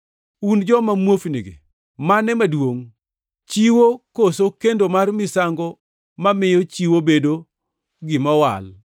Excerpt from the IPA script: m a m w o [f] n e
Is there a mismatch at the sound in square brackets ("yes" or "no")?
no